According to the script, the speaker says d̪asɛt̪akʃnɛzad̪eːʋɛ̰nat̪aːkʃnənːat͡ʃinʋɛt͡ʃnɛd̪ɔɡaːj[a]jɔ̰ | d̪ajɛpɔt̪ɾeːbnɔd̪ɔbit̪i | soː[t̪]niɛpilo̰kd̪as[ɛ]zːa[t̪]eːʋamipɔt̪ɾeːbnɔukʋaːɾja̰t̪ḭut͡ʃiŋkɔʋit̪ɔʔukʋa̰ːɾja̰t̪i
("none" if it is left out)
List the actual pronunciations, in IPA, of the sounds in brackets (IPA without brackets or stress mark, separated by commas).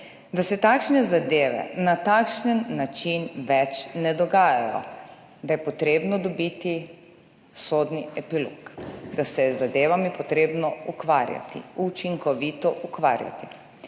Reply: a, d̪, ɛ, d̪